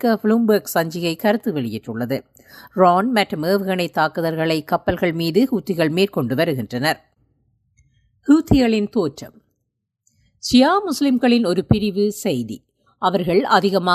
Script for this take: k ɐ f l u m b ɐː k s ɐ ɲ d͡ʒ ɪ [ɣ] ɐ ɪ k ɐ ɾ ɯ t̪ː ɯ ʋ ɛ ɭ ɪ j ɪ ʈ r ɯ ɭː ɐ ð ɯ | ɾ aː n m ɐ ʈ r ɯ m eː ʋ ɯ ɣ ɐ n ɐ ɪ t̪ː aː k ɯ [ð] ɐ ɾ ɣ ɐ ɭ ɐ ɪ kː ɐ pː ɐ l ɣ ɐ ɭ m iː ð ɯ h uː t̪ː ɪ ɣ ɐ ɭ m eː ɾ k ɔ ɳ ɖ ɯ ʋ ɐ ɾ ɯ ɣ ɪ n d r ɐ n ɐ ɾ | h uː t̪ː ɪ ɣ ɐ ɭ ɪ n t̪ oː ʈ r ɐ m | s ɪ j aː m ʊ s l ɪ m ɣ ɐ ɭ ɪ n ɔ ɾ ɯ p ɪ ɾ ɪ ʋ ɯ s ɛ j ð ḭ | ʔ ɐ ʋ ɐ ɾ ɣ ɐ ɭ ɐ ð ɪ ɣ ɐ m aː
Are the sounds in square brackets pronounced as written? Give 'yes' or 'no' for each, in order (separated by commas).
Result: yes, yes